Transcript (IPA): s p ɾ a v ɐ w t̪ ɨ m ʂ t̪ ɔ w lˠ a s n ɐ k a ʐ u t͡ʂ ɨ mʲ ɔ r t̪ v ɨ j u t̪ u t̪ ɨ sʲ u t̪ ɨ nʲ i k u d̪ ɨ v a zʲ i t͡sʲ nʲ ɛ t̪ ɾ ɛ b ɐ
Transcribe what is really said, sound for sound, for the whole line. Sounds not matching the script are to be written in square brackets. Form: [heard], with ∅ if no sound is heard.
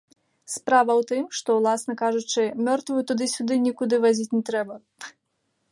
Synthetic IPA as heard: s p ɾ a v ɐ w t̪ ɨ m ʂ t̪ ɔ w lˠ a s n ɐ k a ʐ u t͡ʂ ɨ mʲ ɔ r t̪ v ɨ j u t̪ u [d̪] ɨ sʲ u [d̪] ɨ nʲ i k u d̪ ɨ v a zʲ i t͡sʲ nʲ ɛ t̪ ɾ ɛ b ɐ